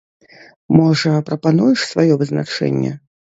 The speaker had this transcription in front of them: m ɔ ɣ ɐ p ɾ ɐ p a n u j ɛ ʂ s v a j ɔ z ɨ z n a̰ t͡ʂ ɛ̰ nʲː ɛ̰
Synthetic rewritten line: m ɔ ʐ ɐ p ɾ ɐ p a n u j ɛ ʂ s v a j ɔ v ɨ z n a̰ t͡ʂ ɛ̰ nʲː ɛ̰